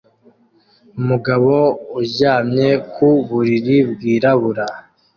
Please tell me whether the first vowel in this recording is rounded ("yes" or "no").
yes